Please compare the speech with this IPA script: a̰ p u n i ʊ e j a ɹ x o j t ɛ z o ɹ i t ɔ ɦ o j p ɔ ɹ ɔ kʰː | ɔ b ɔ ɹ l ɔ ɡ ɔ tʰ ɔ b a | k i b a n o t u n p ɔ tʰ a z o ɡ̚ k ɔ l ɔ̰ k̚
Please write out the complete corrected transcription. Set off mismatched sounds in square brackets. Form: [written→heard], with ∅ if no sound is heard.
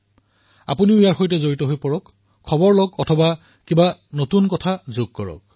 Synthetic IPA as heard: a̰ p u n i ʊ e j a ɹ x o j t ɛ z o ɹ i t ɔ ɦ o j p ɔ ɹ ɔ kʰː | ɔ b ɔ ɹ l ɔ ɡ ɔ tʰ ɔ b a | k i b a n o t u n [p→k] ɔ tʰ a z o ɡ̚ k ɔ [l→ɹ] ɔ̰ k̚